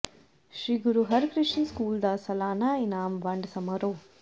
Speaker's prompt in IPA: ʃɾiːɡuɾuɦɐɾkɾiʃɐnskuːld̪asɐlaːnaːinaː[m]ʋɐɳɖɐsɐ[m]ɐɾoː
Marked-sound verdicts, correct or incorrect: correct, correct

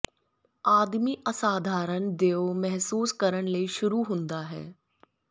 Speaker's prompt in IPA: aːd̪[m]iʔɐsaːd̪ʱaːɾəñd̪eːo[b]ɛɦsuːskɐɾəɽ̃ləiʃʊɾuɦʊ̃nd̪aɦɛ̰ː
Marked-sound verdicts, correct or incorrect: correct, incorrect: m

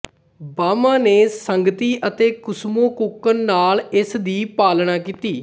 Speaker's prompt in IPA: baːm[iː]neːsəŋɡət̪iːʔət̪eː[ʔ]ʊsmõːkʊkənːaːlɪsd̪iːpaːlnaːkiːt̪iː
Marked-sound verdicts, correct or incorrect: incorrect: aː, incorrect: k

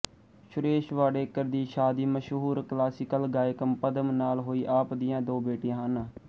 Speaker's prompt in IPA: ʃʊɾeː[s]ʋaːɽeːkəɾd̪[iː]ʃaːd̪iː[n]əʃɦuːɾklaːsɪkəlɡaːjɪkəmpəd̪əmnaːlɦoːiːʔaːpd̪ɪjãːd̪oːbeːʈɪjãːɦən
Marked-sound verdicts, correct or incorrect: incorrect: ʃ, correct, incorrect: m

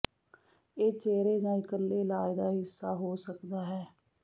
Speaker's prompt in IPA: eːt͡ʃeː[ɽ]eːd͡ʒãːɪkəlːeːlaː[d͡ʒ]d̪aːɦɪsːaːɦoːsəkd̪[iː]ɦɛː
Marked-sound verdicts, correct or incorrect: incorrect: ɾ, incorrect: none, incorrect: aː

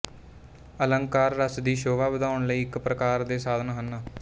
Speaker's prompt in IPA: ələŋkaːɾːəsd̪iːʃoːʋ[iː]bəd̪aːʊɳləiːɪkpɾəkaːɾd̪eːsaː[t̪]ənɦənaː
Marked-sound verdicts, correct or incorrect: incorrect: aː, incorrect: d̪

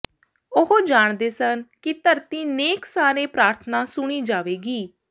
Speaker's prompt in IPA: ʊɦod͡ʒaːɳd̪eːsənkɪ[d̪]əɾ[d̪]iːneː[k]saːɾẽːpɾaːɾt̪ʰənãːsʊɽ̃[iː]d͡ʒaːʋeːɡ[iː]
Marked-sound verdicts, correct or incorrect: incorrect: t̪, incorrect: t̪, correct, correct, correct

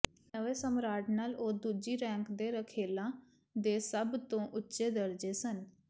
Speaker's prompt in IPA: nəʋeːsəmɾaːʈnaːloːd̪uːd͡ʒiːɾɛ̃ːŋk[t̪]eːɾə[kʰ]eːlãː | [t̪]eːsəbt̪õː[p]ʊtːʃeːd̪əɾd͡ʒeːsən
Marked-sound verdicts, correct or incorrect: incorrect: d̪, correct, incorrect: d̪, incorrect: ʔ

